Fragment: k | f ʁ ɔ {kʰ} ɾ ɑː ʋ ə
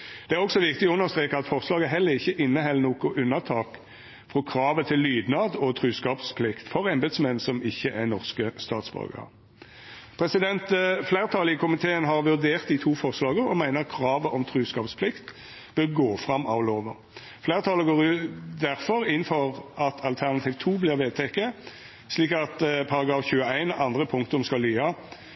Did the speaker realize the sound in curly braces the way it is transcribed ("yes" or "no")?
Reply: yes